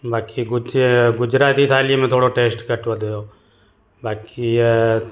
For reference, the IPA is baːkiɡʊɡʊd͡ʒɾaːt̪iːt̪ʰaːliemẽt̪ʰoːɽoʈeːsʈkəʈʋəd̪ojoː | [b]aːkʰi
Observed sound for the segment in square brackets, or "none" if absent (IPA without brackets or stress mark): b